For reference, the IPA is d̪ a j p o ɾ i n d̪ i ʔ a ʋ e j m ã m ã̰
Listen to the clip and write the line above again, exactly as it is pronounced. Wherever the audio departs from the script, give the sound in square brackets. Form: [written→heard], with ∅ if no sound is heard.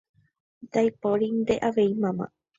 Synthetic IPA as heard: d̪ a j p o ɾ i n d̪ [i→e] ʔ a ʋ e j m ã m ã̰